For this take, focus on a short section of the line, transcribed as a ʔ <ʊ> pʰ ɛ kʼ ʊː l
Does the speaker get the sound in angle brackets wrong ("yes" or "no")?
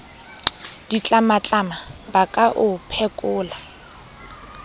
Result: no